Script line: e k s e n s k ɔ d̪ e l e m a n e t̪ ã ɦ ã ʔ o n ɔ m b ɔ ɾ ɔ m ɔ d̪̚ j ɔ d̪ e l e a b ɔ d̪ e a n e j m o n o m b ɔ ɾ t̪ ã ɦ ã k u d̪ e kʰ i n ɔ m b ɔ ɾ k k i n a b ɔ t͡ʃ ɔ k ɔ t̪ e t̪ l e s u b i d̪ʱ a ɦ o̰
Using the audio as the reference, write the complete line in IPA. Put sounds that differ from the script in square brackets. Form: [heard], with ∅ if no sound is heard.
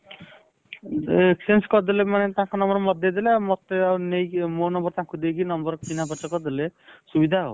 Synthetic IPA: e k s e n s k ɔ d̪ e l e m a n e t̪ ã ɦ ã [k] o n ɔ m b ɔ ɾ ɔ m ɔ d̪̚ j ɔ d̪ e l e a [m] ɔ [t̪] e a n e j m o n [ɔ] m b ɔ ɾ t̪ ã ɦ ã k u d̪ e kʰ i n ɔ m b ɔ ɾ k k i n a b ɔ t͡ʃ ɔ k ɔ [d̪] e [∅] l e s u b i d̪ʱ a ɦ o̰